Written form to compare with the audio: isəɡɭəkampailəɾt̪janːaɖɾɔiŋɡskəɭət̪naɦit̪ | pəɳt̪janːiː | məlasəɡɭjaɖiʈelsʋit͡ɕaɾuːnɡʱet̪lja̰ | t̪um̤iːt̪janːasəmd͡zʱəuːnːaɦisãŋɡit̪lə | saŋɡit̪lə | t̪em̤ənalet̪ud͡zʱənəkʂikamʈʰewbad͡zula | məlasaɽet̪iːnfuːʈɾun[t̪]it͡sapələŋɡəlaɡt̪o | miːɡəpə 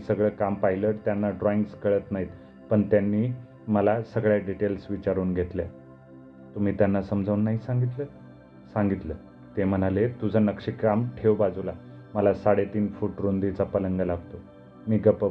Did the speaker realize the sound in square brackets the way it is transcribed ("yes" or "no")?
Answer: no